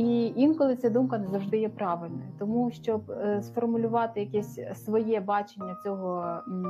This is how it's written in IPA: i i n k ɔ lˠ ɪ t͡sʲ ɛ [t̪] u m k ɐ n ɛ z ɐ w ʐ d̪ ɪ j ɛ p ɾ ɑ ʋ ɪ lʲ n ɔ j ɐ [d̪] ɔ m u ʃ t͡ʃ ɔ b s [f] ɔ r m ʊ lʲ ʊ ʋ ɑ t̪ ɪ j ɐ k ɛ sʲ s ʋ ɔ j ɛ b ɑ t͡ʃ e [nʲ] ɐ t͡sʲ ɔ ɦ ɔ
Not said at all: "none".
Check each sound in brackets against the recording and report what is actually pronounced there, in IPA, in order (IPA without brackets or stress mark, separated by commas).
d̪, t̪, f, nʲː